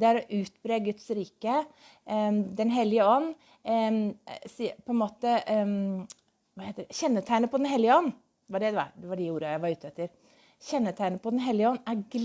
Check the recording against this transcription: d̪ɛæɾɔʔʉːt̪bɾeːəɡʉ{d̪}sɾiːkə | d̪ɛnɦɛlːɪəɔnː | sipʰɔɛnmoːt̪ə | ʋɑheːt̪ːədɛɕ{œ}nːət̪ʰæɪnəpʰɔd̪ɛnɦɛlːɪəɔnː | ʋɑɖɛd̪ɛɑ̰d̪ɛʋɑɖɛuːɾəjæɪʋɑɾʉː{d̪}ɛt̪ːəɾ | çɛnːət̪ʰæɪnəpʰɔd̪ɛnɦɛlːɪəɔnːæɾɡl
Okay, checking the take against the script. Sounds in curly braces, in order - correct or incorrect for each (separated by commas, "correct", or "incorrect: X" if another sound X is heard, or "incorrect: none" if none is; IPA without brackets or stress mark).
incorrect: t̪, incorrect: ɛ, incorrect: t̪